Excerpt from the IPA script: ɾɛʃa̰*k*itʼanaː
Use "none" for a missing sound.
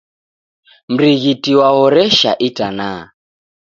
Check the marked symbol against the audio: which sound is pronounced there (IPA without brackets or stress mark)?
ʔ